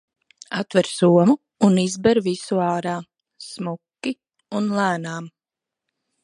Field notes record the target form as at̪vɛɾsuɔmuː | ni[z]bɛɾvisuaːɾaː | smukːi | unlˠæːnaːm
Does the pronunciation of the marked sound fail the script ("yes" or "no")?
no